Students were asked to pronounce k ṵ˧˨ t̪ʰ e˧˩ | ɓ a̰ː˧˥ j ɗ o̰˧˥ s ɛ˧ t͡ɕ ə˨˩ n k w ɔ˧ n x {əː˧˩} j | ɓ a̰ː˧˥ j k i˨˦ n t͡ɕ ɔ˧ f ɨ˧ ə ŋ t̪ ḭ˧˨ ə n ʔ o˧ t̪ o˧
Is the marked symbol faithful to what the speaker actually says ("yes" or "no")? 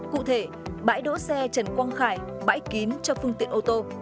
no